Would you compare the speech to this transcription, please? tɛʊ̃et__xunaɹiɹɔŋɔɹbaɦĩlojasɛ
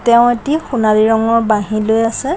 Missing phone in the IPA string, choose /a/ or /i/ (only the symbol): i